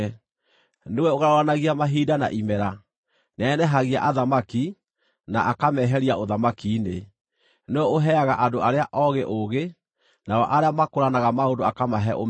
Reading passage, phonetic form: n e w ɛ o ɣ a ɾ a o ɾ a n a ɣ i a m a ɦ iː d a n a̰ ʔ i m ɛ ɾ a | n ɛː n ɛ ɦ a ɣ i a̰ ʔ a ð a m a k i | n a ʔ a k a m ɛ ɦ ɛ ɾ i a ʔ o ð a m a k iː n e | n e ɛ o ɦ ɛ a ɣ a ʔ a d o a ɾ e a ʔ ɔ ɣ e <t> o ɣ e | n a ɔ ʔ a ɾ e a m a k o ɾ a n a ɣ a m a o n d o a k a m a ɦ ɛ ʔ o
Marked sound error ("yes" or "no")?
yes